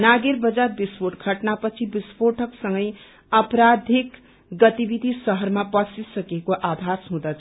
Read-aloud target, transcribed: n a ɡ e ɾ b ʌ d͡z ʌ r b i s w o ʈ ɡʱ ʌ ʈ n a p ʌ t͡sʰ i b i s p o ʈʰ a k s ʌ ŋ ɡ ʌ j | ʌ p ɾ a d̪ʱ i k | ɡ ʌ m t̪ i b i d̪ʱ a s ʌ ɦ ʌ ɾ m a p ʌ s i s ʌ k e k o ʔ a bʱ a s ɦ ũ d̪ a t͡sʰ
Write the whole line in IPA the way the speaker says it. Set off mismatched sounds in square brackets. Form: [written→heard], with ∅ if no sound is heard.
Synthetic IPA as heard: n a ɡ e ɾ b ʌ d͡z [ʌ→a] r b i s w o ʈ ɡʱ ʌ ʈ n a p ʌ t͡sʰ i b i s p o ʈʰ [a→ʌ] k s ʌ ŋ ɡ ʌ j | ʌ p ɾ a d̪ʱ i k | ɡ ʌ [m→∅] t̪ i b i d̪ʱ [a→i] s ʌ ɦ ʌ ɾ m a p ʌ s i s ʌ k e k o ʔ a bʱ a s ɦ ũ d̪ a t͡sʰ